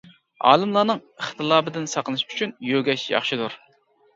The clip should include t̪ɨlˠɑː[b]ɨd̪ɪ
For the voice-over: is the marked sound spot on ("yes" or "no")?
yes